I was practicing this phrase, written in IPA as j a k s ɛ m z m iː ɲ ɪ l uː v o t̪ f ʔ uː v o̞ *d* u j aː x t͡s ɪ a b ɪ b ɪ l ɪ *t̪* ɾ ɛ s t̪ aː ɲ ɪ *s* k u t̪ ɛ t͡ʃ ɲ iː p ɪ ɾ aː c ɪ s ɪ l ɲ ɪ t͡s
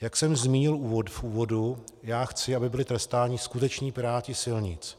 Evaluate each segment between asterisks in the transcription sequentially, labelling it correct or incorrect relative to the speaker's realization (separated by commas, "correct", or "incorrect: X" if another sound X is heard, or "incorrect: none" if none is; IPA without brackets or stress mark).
correct, correct, correct